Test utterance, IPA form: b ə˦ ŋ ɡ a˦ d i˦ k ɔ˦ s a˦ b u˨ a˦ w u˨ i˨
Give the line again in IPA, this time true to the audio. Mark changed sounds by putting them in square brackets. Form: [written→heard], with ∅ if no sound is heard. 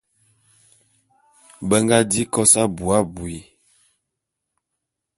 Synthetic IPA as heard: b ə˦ ŋ ɡ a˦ d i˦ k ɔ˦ s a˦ b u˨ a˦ [w→b] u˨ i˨